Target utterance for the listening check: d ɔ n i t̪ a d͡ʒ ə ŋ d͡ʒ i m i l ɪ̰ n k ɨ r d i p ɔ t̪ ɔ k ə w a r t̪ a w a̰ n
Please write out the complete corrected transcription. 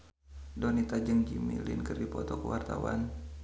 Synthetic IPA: d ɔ n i t̪ a d͡ʒ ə ŋ d͡ʒ i m i l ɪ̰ n k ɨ r d i p ɔ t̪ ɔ k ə w a r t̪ a w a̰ n